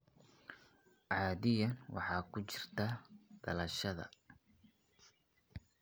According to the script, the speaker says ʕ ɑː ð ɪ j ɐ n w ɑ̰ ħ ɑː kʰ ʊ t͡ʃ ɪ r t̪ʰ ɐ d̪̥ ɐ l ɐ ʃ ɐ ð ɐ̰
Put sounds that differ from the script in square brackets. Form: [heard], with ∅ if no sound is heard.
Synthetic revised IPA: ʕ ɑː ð ɪ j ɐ n w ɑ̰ ħ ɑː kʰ ʊ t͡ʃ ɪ r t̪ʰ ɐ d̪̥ ɐ l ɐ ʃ ɐ ð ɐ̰